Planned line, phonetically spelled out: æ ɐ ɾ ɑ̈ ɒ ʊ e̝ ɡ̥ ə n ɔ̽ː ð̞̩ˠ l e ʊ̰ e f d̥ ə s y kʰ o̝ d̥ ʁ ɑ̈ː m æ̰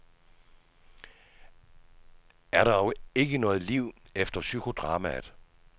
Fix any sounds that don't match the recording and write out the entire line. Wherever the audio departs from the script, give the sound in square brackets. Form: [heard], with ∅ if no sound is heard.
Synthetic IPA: æ ɐ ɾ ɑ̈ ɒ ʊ e̝ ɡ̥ ə n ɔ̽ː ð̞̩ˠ l [i] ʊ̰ e f d̥ [ɐ] s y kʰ o̝ d̥ ʁ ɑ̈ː m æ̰